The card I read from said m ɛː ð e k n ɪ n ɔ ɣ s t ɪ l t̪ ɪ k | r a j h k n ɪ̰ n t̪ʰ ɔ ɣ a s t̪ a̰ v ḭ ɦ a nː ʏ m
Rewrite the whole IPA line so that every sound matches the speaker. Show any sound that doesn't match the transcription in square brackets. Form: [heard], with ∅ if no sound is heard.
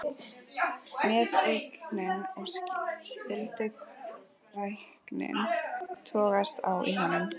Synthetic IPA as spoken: m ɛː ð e k n ɪ n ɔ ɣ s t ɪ l t̪ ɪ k | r a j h k n ɪ̰ n t̪ʰ [ɔː] ɣ a s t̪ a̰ [w] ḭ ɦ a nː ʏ m

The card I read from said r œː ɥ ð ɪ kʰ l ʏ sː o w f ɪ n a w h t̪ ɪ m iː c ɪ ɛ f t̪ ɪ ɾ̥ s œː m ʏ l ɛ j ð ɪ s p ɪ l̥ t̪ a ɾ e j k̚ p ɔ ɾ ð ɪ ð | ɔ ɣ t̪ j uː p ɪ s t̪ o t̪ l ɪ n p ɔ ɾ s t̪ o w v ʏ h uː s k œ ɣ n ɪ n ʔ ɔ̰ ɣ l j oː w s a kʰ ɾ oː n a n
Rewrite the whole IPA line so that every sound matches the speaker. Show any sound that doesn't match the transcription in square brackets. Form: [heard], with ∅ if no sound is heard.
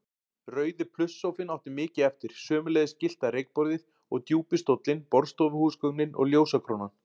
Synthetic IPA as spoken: r œː ɥ ð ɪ [pʰ] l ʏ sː o w f ɪ n a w h t̪ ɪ m [ɪː] c ɪ ɛ f t̪ ɪ ɾ̥ s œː m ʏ l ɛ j ð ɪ s [c] ɪ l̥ t̪ a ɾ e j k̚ p ɔ ɾ ð ɪ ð | ɔ ɣ t̪ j uː p ɪ s t̪ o t̪ l ɪ n p ɔ ɾ s t̪ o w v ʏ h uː s k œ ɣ n ɪ n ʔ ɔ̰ ɣ l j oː w s a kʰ ɾ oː n a n

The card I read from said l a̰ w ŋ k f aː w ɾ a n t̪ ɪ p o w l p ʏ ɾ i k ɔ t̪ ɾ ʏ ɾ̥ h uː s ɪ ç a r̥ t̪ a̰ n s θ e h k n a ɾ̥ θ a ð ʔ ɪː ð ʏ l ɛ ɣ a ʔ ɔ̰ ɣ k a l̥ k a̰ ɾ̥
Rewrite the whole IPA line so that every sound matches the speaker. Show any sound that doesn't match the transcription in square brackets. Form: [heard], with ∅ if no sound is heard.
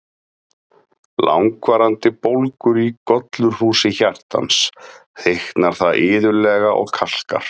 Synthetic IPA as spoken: l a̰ w ŋ k [v] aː [∅] ɾ a n t̪ ɪ p o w l [k] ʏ ɾ i k ɔ t̪ [l] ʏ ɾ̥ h uː s ɪ ç a r̥ t̪ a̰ n s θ e h k n a ɾ̥ θ a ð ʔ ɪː ð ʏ l ɛ ɣ a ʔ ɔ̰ ɣ [kʰ] a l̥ k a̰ ɾ̥

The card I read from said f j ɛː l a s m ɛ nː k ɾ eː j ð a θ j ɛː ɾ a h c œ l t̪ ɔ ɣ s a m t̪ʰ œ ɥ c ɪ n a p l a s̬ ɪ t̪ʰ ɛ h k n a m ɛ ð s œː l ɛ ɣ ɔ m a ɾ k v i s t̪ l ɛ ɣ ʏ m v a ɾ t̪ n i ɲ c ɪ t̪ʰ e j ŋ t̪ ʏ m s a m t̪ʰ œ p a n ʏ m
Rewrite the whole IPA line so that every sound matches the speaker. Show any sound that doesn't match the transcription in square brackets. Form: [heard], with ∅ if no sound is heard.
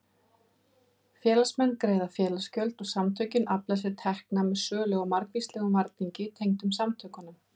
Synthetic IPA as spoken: f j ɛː l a s m ɛ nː k ɾ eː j ð a [f] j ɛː [l] a [s] c œ l t̪ ɔ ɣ s a m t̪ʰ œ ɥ c ɪ n a p l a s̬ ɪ t̪ʰ ɛ h k n a m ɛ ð s œː l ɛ ɣ ɔ m a ɾ k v i s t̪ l ɛ ɣ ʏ m v a ɾ t̪ n i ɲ c ɪ t̪ʰ e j ŋ t̪ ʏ m s a m t̪ʰ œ [k] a n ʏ m

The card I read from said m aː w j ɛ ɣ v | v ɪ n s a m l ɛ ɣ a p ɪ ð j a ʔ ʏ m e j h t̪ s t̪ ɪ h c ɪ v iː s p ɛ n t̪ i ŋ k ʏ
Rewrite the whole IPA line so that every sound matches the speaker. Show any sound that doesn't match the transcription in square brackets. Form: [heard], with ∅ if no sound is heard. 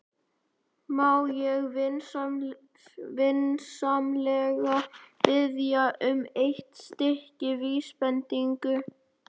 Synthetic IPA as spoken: m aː w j ɛ ɣ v | v ɪ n s a m l ɛ ɣ a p ɪ ð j a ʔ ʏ m e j h t̪ s t̪ ɪ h c ɪ v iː s p ɛ n t̪ i ŋ k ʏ

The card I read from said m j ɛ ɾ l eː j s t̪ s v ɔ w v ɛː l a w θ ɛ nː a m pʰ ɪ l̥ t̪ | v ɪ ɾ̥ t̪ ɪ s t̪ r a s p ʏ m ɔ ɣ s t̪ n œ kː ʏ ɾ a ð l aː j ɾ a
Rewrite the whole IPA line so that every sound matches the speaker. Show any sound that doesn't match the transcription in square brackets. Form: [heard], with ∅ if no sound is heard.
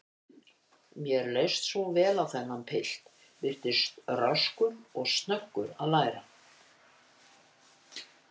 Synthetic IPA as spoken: m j ɛ ɾ l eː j s t̪ s v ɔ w v ɛː l a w θ ɛ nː a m pʰ ɪ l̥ t̪ | v ɪ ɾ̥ t̪ ɪ s t̪ r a s [k] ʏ m ɔ ɣ s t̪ n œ kː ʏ ɾ a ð l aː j ɾ a

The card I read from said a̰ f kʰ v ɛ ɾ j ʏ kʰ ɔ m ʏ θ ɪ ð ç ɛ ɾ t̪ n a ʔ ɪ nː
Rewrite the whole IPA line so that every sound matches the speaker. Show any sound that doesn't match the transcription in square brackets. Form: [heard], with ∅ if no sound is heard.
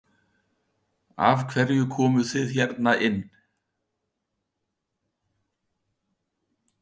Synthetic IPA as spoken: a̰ [v] kʰ v ɛ ɾ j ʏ kʰ [ɔː] m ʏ θ ɪ ð ç ɛ ɾ t̪ n a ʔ ɪ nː

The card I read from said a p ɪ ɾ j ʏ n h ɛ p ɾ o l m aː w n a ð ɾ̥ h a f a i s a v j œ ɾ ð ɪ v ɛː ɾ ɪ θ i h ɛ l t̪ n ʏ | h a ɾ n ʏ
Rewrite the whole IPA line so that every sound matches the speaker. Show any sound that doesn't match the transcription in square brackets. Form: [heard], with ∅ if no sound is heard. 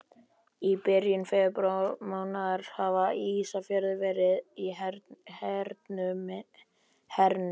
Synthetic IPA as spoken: [i] p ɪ ɾ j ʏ n [f] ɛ p ɾ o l m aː w n a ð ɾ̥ h a [v] a i s a [f] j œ ɾ ð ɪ v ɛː ɾ ɪ [ð] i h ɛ [ɾ] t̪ n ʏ | h [ɛ] ɾ n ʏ

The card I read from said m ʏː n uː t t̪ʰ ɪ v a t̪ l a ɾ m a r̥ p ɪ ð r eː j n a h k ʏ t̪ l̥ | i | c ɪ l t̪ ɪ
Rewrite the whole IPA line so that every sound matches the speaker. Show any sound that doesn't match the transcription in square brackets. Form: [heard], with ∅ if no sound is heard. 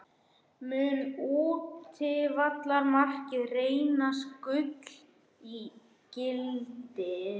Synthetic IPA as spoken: m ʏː n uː t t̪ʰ ɪ v a t̪ l a ɾ m a r̥ [c] ɪ ð r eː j n a [s] k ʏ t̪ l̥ | i | c ɪ l t̪ ɪ

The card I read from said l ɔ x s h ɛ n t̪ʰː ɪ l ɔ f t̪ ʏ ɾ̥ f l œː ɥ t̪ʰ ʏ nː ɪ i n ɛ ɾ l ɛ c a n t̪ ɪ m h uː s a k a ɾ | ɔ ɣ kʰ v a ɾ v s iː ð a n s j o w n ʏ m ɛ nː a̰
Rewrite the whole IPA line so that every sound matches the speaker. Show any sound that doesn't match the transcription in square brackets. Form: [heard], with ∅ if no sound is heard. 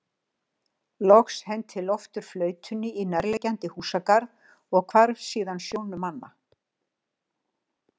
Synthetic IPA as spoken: l ɔ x s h ɛ n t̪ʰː ɪ l ɔ f t̪ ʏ ɾ̥ f l œː ɥ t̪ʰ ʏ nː ɪ i n ɛ ɾ l ɛ c a n t̪ ɪ [∅] h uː s a k a ɾ | ɔ ɣ kʰ v a ɾ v s iː ð a n s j o w n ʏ m [a] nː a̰

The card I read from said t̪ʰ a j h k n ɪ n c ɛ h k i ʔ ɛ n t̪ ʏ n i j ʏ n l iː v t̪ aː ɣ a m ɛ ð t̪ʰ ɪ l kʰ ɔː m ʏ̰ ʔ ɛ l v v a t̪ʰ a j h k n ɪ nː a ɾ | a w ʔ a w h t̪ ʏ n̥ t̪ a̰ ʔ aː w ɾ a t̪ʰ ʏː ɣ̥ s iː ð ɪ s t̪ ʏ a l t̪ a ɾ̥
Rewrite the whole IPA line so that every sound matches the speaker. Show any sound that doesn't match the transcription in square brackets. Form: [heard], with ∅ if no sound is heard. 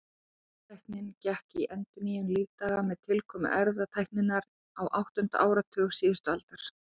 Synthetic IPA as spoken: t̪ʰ a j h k n ɪ n c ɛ h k i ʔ ɛ n t̪ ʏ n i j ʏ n l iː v t̪ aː ɣ a m ɛ ð t̪ʰ ɪ l kʰ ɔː m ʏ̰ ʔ ɛ [ɾ] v [ð] a t̪ʰ a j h k n ɪ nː a ɾ | a w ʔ a w h t̪ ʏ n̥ t̪ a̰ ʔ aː w ɾ a t̪ʰ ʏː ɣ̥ s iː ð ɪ s t̪ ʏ a l t̪ a ɾ̥

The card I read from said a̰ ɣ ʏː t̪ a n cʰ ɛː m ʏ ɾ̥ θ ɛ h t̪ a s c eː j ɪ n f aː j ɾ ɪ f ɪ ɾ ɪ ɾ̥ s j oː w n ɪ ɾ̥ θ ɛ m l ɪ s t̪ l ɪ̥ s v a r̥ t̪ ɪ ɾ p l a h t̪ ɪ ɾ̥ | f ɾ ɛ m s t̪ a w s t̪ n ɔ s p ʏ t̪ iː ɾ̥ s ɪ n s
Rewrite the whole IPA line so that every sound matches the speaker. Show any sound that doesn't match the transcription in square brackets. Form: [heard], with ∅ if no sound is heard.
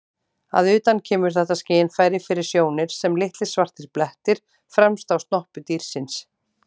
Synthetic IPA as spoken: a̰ [ð] ʏː t̪ a n cʰ ɛː m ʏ ɾ̥ θ ɛ h t̪ a s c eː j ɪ n f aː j ɾ ɪ f ɪ ɾ ɪ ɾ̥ s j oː w n ɪ ɾ̥ [s] ɛ m l ɪ [h] t̪ l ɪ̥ s v a r̥ t̪ ɪ ɾ p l [ɛ] h t̪ ɪ ɾ̥ | f ɾ ɛ m s t̪ a w s t̪ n ɔ [h] p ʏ t̪ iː ɾ̥ s ɪ n s

